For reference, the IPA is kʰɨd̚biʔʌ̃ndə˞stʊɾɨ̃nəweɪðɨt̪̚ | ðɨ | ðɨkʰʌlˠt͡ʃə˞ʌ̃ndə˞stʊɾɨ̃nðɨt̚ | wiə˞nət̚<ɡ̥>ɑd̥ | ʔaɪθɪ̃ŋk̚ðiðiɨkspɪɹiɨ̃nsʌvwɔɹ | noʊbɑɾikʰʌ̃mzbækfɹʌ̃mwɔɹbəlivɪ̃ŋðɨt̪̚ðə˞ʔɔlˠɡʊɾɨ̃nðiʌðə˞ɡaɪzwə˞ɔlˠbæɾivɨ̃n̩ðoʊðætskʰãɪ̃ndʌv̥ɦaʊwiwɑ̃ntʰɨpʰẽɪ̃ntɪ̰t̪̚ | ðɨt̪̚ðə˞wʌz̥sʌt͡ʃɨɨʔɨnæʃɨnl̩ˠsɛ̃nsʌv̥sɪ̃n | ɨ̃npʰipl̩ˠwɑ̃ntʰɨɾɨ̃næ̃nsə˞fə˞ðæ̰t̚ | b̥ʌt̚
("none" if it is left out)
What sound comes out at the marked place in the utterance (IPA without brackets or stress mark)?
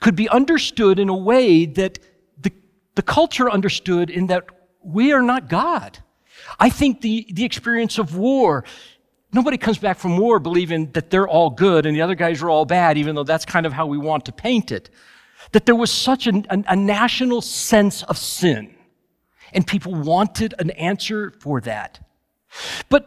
ɡ̥